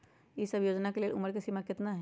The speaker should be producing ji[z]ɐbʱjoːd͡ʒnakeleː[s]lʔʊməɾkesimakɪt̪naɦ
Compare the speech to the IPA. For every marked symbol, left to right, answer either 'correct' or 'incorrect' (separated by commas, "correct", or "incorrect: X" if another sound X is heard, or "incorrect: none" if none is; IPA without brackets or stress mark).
incorrect: s, incorrect: none